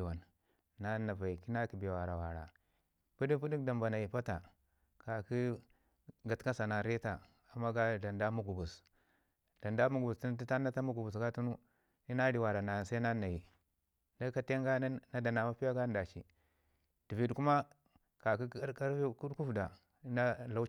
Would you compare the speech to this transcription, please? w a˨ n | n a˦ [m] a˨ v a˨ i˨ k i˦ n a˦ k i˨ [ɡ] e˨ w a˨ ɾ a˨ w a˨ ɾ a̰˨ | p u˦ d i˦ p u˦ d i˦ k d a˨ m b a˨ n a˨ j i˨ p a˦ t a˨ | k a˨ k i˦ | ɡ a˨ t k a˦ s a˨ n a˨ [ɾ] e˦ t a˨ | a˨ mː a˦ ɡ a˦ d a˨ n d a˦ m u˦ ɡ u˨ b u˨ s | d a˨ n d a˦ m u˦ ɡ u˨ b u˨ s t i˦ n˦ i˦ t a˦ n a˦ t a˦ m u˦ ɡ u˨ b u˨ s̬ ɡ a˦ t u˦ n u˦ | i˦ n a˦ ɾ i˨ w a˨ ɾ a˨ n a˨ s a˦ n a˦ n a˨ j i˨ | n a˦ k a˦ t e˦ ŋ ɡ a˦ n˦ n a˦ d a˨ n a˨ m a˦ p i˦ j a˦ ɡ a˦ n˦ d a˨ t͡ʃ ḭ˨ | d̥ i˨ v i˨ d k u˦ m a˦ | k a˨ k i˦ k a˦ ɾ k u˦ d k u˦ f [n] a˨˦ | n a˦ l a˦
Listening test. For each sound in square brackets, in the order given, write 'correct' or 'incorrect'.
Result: incorrect, incorrect, correct, incorrect

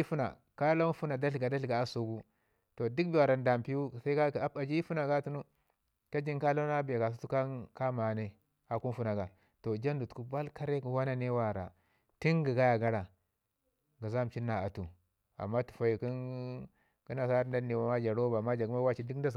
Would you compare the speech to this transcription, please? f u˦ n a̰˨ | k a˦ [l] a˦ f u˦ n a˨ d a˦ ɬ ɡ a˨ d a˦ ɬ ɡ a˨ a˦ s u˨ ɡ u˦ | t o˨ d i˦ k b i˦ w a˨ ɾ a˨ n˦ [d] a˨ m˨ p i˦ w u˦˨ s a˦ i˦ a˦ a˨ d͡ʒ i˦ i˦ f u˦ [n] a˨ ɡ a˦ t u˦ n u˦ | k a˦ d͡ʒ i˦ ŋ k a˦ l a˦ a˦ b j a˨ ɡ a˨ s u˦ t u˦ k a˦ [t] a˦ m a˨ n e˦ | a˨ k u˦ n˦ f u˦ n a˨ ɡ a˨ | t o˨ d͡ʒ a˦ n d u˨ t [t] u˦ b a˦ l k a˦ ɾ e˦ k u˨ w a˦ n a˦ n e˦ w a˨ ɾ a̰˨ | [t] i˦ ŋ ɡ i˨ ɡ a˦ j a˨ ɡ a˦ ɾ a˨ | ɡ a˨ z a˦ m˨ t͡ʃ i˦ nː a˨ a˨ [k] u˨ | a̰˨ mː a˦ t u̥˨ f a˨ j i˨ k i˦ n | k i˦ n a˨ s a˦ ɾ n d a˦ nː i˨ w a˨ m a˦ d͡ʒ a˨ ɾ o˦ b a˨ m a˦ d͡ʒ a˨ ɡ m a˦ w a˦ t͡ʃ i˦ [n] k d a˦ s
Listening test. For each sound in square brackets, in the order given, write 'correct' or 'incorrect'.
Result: correct, correct, correct, incorrect, incorrect, correct, incorrect, incorrect

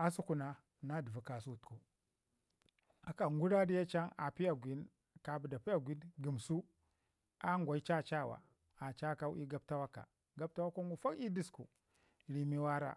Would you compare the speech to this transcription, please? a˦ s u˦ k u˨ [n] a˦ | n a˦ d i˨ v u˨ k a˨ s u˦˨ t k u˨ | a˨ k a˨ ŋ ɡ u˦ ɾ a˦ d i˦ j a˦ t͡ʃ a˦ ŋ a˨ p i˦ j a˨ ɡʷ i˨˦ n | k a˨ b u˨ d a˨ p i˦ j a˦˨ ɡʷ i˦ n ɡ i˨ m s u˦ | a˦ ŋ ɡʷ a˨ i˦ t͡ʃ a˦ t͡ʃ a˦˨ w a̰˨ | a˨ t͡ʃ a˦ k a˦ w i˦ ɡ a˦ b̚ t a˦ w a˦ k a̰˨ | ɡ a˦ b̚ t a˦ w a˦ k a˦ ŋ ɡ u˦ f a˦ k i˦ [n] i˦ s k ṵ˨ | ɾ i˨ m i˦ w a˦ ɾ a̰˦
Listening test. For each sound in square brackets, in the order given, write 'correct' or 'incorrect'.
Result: correct, incorrect

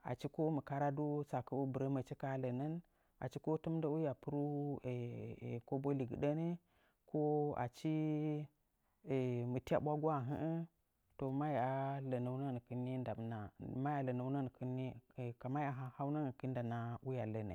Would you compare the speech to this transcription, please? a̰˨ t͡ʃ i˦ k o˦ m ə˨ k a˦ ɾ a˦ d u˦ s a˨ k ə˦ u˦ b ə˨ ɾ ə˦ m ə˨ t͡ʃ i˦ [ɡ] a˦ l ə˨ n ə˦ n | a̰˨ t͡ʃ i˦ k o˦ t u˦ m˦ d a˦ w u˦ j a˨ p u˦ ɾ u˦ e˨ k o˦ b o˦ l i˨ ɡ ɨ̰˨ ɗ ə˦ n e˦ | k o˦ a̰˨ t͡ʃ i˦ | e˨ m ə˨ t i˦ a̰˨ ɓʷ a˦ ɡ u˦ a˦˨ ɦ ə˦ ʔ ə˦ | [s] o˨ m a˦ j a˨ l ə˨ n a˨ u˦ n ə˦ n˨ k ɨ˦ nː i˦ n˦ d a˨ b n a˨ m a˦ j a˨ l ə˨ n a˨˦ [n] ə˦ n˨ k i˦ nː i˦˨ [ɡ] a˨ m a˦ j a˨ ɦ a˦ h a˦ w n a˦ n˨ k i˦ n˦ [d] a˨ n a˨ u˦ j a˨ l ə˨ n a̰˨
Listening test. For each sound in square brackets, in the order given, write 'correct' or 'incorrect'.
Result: incorrect, incorrect, correct, incorrect, correct

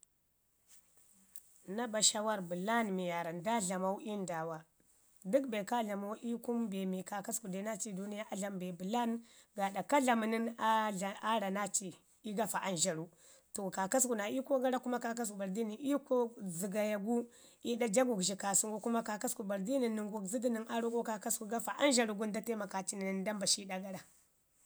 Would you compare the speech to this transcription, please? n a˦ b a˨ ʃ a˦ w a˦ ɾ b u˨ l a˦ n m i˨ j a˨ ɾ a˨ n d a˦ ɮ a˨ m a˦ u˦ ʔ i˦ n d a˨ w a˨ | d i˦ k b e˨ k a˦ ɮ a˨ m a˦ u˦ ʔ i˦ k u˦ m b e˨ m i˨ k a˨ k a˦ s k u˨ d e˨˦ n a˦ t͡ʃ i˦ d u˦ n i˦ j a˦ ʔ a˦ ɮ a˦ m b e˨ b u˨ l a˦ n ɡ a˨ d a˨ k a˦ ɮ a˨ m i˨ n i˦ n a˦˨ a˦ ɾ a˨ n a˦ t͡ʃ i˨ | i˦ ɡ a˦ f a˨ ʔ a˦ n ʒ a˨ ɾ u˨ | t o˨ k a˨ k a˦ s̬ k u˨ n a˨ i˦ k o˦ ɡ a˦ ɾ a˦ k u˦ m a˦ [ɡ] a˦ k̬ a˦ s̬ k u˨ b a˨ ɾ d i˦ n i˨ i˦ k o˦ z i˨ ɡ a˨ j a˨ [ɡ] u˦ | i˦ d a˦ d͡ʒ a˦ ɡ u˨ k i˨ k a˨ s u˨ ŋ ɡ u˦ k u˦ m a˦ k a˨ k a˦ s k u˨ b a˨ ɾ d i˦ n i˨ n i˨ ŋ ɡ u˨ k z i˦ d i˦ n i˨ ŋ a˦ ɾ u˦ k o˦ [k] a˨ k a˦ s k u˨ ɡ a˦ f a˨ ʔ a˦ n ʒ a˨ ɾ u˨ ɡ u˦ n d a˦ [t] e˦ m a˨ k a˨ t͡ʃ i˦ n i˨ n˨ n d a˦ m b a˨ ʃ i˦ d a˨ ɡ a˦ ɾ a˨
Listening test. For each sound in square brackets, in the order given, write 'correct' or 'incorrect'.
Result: incorrect, correct, correct, correct

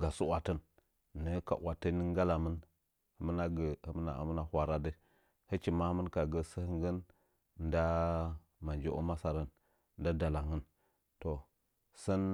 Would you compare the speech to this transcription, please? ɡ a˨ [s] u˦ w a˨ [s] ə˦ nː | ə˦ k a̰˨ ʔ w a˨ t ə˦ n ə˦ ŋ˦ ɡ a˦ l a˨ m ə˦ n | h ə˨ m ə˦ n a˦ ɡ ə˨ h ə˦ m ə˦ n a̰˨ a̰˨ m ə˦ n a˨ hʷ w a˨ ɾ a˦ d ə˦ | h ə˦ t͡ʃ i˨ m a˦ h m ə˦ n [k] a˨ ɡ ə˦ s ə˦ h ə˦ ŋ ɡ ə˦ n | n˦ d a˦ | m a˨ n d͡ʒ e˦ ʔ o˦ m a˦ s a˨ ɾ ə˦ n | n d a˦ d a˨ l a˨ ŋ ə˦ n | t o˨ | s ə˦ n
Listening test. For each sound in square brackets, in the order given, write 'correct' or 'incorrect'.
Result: correct, incorrect, correct

